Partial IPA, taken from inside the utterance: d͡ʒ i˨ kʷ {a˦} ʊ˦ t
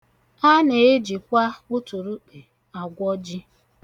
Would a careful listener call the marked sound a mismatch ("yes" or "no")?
no